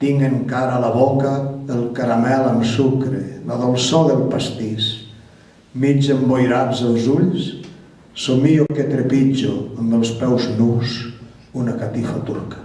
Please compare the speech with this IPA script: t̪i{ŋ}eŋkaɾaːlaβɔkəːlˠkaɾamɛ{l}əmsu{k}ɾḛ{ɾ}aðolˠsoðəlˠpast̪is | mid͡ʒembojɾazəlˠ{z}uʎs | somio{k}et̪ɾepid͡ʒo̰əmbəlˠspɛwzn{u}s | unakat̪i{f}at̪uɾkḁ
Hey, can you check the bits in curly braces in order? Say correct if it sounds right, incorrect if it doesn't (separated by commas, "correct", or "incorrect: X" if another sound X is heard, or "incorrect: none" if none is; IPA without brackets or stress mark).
correct, correct, correct, incorrect: l, correct, correct, correct, correct